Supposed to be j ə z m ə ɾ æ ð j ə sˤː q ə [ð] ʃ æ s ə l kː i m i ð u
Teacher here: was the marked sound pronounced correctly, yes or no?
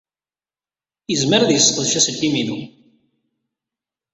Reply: yes